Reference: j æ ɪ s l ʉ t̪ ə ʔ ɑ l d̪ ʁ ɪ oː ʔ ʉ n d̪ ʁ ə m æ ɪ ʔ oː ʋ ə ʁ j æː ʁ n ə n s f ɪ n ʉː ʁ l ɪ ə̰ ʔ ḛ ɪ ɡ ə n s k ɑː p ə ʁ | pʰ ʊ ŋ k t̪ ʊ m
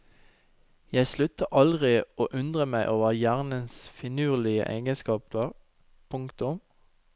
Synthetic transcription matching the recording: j æ ɪ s l ʉ t̪ ə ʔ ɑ l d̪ ʁ ɪ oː ʔ ʉ n d̪ ʁ ə m æ ɪ ʔ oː ʋ ə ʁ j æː ʁ n ə n s f ɪ n ʉː ʁ l ɪ ə̰ ʔ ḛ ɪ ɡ ə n s k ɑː p ə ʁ | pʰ ʊ ŋ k t̪ ʊ m